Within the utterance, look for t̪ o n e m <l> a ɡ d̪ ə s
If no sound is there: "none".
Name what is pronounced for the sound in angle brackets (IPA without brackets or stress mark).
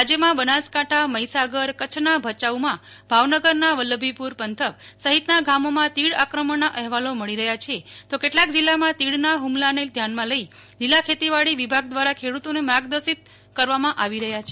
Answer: ɾ